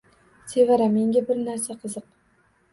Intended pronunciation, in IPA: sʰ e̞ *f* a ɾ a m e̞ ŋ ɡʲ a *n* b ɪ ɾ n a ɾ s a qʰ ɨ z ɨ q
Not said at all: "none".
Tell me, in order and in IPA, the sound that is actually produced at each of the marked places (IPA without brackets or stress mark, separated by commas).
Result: v, none